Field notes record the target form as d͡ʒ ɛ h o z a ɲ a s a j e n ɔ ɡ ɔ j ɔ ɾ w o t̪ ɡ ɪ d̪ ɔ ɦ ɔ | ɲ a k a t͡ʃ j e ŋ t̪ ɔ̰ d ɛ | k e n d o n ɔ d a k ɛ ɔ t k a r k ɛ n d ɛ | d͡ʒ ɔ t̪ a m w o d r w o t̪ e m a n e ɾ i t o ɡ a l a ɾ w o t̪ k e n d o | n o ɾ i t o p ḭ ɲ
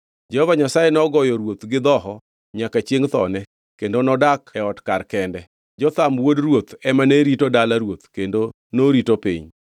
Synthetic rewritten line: d͡ʒ ɛ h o v a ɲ a s a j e n ɔ ɡ ɔ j ɔ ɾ w o t̪ ɡ ɪ d̪ ɔ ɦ ɔ | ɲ a k a t͡ʃ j e ŋ t̪ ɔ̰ n ɛ | k e n d o n ɔ d a k ɛ ɔ t k a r k ɛ n d ɛ | d͡ʒ ɔ t̪ a m w o d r w o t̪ ɛ m a n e ɾ i t o d a l a ɾ w o t̪ k e n d o | n o ɾ i t o p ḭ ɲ